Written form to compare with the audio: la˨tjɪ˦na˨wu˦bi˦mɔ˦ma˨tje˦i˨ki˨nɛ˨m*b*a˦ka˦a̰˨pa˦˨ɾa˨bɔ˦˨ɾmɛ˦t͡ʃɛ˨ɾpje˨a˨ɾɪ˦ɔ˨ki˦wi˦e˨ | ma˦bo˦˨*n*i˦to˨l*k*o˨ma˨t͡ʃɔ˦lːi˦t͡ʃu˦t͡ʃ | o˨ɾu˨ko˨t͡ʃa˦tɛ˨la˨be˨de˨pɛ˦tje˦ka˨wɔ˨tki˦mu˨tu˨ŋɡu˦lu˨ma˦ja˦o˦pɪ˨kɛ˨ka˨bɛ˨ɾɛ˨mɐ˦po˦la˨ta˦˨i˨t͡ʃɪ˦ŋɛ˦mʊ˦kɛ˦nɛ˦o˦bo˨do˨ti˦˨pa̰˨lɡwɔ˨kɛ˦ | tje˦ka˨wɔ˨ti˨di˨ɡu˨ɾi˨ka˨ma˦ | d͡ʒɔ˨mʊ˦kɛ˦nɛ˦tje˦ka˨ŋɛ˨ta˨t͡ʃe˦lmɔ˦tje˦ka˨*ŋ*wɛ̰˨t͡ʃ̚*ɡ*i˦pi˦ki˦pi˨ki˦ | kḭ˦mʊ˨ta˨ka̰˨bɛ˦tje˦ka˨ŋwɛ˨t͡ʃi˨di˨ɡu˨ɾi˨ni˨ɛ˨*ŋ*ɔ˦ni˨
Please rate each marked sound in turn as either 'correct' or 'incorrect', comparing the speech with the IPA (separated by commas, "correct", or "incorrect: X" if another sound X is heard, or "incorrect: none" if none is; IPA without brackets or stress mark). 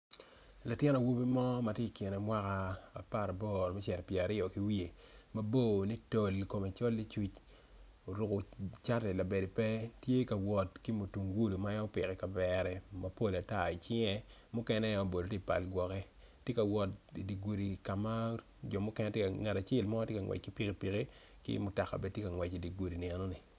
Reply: incorrect: w, correct, correct, correct, incorrect: k, incorrect: n